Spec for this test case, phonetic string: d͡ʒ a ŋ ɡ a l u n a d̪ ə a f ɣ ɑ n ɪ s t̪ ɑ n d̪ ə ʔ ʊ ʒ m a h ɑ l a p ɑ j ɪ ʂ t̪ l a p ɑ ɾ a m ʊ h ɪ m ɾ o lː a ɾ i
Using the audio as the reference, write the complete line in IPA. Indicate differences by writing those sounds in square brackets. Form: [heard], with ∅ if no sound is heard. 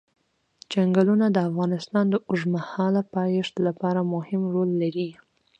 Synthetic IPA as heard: d͡ʒ a ŋ ɡ a l u n a d̪ ə a f ɣ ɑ n ɪ s t̪ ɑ n d̪ ə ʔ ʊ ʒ m a h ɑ l a p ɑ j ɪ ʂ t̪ l a p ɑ ɾ a m ʊ h ɪ m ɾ o lː a ɾ i